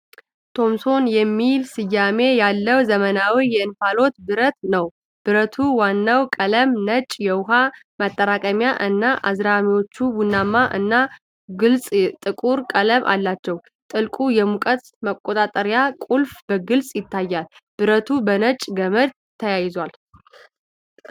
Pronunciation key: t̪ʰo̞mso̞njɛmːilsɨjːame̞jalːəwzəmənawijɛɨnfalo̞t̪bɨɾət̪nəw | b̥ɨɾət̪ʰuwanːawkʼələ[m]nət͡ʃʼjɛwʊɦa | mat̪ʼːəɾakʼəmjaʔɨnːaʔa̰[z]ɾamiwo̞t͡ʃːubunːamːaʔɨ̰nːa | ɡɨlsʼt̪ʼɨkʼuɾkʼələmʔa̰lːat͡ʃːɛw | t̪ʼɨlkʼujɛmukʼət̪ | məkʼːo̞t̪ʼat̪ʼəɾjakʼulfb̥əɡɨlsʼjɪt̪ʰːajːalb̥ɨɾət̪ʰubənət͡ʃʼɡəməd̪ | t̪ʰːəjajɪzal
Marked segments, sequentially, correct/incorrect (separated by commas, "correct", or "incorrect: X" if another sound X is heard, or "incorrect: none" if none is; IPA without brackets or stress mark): correct, correct